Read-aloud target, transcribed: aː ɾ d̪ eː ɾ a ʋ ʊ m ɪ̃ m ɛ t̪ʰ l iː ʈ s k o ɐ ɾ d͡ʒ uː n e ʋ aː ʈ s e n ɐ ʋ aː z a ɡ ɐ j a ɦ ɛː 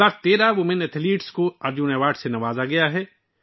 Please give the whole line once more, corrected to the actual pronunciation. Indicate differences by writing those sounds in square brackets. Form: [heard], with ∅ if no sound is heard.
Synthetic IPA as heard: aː ɾ [t̪] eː ɾ a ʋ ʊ m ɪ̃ [n] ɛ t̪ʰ l iː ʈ s k o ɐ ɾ d͡ʒ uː n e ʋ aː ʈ s e n ɐ ʋ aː z a ɡ ɐ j a ɦ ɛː